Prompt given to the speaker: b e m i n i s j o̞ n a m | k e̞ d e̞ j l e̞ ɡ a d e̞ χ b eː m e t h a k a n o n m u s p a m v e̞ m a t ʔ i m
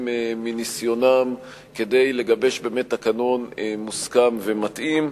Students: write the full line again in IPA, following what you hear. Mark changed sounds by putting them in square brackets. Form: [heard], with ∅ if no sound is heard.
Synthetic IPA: [m] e m i n i s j o̞ n a m | k e̞ d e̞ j l e̞ ɡ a [b] e̞ [ʃ] b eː m e t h a k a n o n m u s [k] a m v e̞ m a t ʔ i m